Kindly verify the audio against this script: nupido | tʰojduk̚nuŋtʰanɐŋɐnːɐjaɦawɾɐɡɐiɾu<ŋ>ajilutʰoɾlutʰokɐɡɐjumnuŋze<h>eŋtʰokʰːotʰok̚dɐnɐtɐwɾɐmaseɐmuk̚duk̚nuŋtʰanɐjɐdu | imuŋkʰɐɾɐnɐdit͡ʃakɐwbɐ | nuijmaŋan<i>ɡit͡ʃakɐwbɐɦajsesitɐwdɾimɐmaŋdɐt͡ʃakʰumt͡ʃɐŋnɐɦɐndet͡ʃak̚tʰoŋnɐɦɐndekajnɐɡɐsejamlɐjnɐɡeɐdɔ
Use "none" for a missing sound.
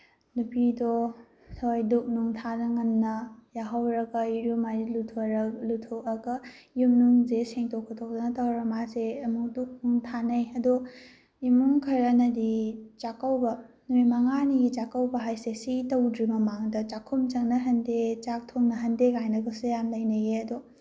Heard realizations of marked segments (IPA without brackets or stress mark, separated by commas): m, s, i